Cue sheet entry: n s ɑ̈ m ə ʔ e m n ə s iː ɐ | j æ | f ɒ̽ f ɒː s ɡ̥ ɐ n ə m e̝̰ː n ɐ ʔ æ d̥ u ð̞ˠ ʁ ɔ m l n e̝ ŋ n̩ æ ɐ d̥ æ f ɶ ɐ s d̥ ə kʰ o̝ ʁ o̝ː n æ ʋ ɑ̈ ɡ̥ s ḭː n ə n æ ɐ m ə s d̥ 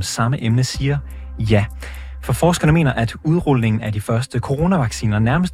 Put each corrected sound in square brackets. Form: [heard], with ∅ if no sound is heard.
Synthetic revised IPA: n s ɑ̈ m ə ʔ e m n ə s iː ɐ | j æ | f ɒ̽ f ɒː s ɡ̥ ɐ n ə m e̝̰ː n ɐ ʔ æ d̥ u ð̞ˠ ʁ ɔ [∅] l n e̝ ŋ n̩ æ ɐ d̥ [i] f ɶ ɐ s d̥ ə kʰ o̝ ʁ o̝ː n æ ʋ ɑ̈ ɡ̥ s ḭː n [ɐ] n æ ɐ m ə s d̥